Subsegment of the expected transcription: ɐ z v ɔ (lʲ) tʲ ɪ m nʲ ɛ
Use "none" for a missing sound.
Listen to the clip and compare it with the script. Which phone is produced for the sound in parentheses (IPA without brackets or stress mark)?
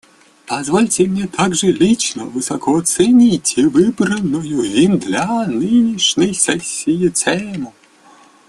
lʲ